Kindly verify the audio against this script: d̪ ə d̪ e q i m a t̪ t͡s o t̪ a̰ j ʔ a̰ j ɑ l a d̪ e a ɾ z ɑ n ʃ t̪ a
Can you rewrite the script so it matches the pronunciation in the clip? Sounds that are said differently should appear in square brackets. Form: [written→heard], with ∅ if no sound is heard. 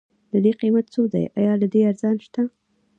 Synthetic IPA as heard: d̪ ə d̪ e q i m a t̪ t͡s o [t̪→d̪] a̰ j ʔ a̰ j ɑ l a d̪ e a ɾ z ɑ n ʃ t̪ a